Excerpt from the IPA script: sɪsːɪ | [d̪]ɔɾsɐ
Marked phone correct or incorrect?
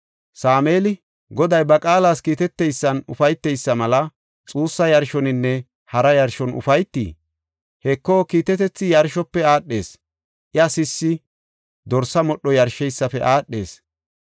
correct